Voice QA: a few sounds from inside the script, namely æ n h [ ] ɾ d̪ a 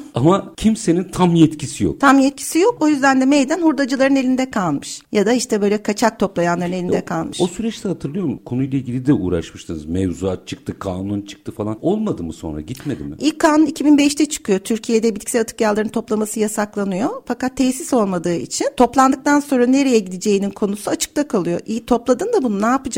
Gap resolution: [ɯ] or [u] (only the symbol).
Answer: u